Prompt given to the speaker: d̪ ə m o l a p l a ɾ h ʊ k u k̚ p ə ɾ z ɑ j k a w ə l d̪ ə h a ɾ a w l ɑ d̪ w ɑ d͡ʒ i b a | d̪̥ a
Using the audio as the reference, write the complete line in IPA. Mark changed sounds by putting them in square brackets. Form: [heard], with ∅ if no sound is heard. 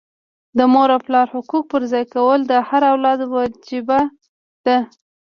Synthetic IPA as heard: d̪ ə m o [ɾ] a p l [ɑ] ɾ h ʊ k u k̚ p ə ɾ z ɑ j k a w ə l d̪ ə h a ɾ a w l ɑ d̪ w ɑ d͡ʒ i b a | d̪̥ a